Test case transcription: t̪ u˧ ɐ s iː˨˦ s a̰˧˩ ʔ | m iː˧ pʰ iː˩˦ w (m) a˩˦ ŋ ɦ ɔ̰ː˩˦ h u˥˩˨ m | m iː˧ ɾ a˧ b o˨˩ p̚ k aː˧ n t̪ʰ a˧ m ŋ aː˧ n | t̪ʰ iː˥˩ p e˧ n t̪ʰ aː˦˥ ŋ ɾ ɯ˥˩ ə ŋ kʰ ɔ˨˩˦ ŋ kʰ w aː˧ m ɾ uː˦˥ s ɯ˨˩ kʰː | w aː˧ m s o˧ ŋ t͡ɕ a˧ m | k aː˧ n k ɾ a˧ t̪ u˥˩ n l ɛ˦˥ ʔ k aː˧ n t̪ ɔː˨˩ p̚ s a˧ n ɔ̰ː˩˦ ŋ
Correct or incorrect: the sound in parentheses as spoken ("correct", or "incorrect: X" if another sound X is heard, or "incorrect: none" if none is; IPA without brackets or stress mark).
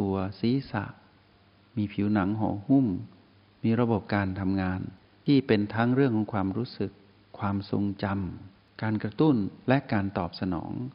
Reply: incorrect: n